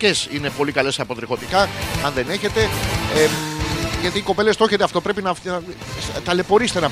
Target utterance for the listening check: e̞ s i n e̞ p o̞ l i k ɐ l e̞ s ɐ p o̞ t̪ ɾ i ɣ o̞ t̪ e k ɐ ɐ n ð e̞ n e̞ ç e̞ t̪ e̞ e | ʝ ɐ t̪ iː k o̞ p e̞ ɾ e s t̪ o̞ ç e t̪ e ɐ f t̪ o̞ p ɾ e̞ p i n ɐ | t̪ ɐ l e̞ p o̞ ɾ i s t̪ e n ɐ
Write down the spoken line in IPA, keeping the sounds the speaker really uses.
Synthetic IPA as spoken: e̞ s i n e̞ p o̞ l i k ɐ l e̞ s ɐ p o̞ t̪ ɾ i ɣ o̞ t̪ i k ɐ ɐ n ð e̞ n e̞ ç e̞ t̪ e̞ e | ʝ ɐ t̪ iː k o̞ p e̞ l e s t̪ o̞ ç e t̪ e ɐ f t̪ o̞ p ɾ e̞ p i n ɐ | t̪ ɐ l e̞ p o̞ ɾ i s t̪ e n ɐ